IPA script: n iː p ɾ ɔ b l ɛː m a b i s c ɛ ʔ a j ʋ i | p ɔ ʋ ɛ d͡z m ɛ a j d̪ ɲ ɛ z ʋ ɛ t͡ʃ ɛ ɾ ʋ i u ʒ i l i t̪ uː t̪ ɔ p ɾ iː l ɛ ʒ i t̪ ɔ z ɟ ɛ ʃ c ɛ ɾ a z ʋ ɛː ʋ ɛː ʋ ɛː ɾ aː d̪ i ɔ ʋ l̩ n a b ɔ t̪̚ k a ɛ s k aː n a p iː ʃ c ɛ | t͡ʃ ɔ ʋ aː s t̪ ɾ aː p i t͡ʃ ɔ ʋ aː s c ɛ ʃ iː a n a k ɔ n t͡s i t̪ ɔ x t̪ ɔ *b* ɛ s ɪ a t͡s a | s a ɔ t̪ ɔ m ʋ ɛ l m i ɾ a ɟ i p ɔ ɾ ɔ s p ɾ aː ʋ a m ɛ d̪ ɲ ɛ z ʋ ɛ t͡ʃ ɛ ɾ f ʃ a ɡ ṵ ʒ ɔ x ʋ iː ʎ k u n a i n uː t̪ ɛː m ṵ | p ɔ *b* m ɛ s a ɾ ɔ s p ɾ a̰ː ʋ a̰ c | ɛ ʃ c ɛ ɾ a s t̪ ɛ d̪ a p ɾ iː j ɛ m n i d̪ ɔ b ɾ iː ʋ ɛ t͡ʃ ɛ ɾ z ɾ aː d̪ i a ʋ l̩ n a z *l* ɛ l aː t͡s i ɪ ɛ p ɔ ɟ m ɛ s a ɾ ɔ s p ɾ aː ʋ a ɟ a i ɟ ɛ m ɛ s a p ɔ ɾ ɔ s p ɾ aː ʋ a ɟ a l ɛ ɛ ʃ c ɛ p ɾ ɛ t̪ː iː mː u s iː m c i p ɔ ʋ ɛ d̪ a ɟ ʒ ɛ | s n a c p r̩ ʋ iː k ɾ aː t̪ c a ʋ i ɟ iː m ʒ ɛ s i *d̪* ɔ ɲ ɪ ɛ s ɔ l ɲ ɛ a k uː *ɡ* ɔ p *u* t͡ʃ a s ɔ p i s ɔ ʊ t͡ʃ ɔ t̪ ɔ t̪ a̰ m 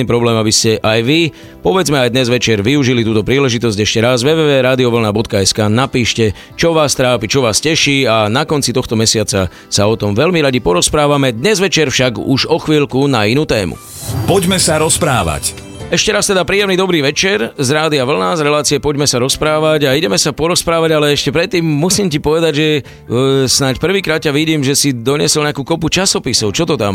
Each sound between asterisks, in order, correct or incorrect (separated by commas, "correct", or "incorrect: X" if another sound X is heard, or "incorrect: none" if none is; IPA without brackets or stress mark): incorrect: m, incorrect: ɟ, incorrect: ɾ, correct, incorrect: k, correct